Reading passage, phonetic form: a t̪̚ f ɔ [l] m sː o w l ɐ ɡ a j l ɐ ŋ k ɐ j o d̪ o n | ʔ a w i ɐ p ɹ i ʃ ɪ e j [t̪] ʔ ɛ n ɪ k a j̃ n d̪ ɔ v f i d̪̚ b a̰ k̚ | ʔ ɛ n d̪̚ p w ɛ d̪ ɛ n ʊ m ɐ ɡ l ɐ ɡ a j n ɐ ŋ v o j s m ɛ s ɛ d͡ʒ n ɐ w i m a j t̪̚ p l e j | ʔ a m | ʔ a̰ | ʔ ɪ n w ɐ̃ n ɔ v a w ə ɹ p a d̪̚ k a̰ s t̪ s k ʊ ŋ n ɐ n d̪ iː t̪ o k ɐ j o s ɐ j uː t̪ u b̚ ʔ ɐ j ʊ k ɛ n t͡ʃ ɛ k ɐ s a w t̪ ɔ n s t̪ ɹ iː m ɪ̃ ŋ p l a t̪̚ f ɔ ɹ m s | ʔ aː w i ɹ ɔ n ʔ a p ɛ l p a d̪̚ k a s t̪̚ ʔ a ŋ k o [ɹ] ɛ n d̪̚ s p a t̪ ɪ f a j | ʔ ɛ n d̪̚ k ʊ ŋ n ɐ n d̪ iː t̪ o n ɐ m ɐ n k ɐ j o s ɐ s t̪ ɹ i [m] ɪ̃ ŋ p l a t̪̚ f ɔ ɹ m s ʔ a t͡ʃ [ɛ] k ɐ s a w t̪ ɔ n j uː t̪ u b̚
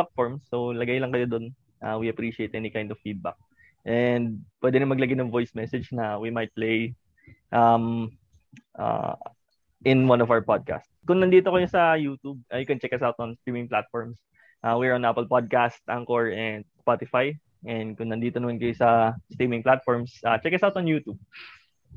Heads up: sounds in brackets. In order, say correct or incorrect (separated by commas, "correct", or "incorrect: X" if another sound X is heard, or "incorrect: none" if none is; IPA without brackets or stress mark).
incorrect: ɹ, correct, correct, correct, correct